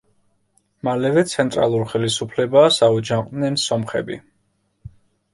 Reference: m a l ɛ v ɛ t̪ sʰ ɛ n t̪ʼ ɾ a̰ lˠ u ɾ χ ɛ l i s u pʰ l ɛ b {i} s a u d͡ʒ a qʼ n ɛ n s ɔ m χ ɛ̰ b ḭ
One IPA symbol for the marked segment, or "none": a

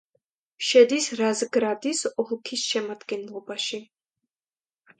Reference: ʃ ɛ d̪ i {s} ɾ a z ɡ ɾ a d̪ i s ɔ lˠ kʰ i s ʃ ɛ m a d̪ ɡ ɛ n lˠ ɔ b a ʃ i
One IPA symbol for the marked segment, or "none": s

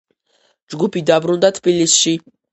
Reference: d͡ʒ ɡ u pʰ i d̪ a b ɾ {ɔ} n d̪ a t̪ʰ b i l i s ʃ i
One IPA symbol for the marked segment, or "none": u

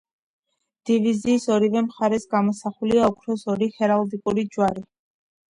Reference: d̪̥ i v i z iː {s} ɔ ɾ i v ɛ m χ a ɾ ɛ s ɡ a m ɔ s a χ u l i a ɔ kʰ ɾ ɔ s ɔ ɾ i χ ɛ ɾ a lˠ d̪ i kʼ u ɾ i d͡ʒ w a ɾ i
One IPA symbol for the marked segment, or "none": s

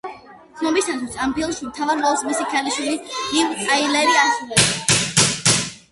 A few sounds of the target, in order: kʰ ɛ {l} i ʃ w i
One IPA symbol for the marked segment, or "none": l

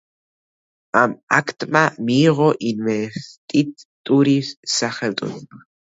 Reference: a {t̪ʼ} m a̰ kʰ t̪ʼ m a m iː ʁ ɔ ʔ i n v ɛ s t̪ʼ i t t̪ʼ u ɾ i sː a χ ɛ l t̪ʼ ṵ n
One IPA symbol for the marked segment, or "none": none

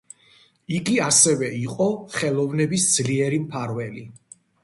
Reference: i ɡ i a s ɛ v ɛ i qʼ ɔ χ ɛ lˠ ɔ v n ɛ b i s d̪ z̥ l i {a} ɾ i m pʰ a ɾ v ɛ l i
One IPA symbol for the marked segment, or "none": ɛ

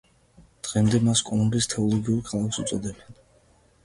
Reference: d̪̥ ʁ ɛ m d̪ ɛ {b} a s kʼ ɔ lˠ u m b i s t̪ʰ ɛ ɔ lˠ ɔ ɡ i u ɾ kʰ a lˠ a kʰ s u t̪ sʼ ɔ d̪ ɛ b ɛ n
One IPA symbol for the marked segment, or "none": m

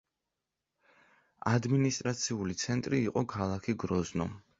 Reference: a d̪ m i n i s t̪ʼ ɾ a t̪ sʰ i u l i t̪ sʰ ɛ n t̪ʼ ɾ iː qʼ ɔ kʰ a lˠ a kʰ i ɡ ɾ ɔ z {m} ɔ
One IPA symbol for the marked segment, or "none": n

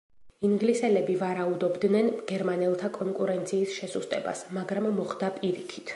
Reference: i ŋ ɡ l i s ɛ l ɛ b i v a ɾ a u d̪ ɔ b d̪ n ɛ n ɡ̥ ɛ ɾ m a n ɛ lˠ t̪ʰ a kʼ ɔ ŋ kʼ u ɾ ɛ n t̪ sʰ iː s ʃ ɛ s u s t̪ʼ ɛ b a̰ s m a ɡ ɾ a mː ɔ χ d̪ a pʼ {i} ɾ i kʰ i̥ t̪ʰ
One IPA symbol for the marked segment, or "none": i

